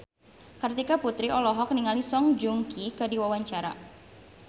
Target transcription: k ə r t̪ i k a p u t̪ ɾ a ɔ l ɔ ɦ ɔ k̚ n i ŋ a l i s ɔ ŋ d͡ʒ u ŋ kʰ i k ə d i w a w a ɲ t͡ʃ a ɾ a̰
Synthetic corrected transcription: k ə r t̪ i k a p u t̪ ɾ i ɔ l ɔ ɦ ɔ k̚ n i ŋ a l i s ɔ ŋ d͡ʒ u ŋ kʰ i k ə d i w a w a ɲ t͡ʃ a ɾ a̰